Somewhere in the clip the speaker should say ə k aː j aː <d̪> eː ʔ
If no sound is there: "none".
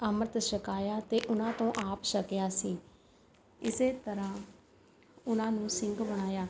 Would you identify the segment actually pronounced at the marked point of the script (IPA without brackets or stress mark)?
t̪